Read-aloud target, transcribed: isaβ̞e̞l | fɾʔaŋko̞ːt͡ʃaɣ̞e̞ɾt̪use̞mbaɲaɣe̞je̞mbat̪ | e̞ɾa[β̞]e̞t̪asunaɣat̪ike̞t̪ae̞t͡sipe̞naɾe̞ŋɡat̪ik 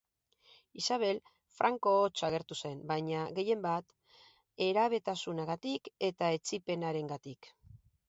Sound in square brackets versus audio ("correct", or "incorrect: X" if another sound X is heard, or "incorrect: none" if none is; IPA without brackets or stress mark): correct